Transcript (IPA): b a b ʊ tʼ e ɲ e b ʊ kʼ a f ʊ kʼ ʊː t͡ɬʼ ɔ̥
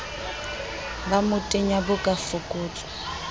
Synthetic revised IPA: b a m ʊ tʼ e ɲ a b ʊ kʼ a f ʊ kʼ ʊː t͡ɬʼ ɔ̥